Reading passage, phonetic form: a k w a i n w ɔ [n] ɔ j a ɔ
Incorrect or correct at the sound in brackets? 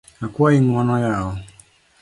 correct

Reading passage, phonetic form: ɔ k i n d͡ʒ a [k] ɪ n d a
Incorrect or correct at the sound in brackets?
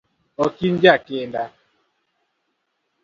correct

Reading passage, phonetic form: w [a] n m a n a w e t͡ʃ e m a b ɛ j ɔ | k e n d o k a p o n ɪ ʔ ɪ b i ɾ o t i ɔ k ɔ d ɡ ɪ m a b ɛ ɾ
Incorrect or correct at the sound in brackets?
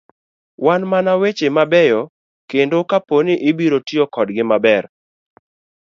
correct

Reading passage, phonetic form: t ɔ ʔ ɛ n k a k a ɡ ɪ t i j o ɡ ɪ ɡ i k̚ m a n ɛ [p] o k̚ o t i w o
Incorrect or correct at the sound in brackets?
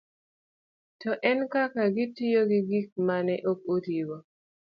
incorrect: ʔ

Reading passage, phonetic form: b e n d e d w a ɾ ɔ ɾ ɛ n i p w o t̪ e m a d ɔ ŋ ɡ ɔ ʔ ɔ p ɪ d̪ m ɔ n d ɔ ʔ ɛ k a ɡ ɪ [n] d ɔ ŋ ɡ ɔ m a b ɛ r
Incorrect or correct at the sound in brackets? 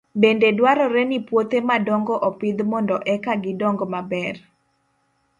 incorrect: none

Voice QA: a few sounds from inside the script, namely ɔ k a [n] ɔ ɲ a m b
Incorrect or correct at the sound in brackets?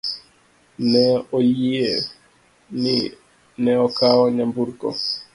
incorrect: none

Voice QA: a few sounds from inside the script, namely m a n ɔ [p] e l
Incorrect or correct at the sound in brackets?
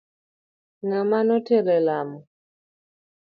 incorrect: t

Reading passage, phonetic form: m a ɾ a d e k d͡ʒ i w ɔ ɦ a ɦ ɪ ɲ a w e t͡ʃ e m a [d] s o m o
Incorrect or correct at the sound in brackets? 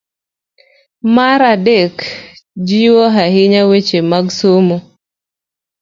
incorrect: ɡ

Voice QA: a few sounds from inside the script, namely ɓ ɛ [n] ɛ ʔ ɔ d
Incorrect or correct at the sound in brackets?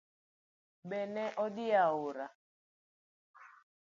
correct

